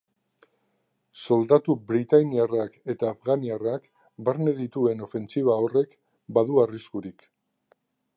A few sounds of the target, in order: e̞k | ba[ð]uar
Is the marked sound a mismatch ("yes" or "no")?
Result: no